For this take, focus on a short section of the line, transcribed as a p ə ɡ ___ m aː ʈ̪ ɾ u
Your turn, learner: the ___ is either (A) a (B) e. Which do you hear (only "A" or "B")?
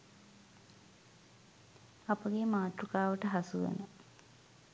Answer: B